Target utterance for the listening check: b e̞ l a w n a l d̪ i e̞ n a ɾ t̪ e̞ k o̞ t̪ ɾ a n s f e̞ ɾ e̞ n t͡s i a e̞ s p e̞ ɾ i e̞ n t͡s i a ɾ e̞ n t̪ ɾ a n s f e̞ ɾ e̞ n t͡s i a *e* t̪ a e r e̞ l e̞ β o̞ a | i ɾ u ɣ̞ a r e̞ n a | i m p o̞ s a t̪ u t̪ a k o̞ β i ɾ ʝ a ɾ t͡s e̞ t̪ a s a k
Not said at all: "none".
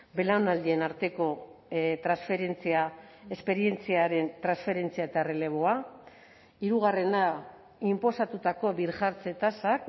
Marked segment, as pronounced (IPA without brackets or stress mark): e